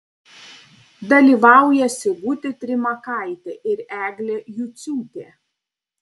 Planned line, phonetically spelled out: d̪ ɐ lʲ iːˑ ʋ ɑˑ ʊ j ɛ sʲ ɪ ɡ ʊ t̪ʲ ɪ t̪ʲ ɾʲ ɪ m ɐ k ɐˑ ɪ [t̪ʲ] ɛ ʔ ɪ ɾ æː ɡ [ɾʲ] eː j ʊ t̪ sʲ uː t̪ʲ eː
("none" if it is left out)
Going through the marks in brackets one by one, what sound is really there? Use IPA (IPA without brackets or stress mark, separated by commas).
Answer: t̪ʲ, lʲ